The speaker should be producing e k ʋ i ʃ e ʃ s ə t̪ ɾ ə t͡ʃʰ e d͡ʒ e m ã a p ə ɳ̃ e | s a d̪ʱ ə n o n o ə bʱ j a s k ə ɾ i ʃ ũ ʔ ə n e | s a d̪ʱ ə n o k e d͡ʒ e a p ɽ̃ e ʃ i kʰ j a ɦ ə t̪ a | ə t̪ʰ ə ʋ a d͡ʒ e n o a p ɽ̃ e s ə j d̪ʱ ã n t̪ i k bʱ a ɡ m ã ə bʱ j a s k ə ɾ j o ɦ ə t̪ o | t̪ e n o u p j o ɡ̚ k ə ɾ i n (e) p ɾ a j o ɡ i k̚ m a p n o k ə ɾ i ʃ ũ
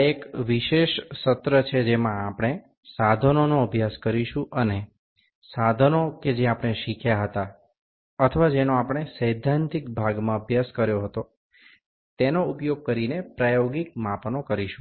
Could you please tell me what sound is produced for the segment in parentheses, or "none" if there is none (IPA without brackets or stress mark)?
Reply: e